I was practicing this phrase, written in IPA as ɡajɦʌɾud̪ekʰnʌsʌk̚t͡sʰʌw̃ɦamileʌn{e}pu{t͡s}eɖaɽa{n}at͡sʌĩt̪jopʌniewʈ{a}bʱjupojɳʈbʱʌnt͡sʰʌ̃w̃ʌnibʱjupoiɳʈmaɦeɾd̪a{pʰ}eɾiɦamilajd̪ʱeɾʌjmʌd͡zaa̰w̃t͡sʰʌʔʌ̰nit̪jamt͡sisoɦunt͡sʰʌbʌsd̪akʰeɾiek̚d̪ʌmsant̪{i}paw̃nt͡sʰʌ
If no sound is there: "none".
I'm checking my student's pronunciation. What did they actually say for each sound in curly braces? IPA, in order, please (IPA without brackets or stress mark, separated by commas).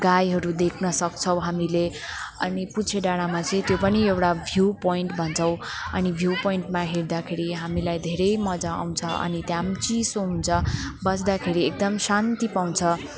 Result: i, t͡sʰ, m, a, kʰ, i